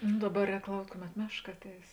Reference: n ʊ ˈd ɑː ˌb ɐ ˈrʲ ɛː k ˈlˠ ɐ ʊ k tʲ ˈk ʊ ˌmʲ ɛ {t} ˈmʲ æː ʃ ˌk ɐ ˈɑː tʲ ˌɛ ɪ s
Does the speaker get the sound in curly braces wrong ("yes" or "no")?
no